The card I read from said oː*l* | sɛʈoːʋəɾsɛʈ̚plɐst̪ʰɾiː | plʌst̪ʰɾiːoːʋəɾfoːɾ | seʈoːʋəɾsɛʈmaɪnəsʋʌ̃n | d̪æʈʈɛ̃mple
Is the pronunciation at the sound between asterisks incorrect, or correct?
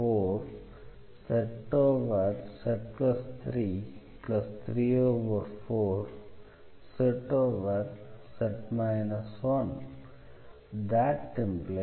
incorrect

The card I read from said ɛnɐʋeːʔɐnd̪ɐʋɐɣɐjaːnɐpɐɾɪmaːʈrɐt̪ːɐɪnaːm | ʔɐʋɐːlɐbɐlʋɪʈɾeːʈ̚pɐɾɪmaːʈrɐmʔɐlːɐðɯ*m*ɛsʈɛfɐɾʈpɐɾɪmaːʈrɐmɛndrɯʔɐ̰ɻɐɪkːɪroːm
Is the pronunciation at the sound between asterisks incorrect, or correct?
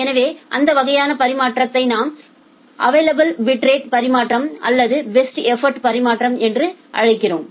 incorrect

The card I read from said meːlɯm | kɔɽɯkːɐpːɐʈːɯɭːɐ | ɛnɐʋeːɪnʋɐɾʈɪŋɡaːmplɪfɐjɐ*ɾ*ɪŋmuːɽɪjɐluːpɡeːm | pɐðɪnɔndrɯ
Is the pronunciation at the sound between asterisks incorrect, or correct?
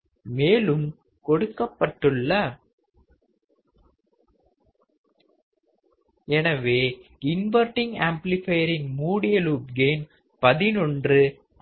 correct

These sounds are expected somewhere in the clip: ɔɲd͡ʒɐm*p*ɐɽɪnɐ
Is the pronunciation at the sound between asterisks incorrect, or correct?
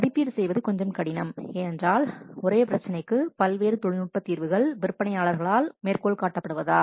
incorrect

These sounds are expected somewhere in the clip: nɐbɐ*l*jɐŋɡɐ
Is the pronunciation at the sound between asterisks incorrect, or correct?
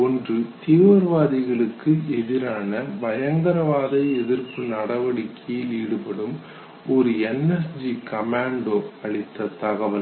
incorrect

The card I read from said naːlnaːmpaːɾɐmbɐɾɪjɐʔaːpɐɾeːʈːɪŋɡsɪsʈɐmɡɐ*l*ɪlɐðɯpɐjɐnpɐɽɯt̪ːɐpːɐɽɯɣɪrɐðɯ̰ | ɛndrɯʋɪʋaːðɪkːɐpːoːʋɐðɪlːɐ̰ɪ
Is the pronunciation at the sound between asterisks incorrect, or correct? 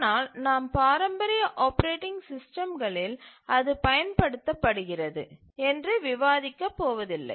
incorrect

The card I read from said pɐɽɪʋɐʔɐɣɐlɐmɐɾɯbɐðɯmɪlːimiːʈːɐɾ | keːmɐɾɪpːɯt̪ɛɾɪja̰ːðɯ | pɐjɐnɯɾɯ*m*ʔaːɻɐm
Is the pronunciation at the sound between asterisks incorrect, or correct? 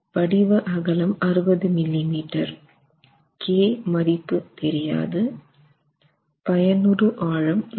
incorrect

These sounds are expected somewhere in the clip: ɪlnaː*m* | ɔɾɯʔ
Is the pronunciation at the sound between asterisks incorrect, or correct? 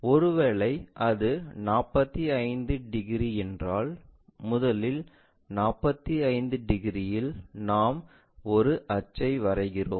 correct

